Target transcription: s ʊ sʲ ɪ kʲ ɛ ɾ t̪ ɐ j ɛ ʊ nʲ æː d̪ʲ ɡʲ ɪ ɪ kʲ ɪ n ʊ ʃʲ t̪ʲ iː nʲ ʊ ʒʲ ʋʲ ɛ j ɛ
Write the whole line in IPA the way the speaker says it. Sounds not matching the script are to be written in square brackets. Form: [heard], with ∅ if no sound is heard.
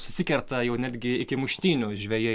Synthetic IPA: s ʊ sʲ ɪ kʲ ɛ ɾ t̪ ɐ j ɛ ʊ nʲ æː d̪ʲ ɡʲ ɪ ɪ kʲ ɪ [m] ʊ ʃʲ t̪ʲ iː nʲ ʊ ʒʲ ʋʲ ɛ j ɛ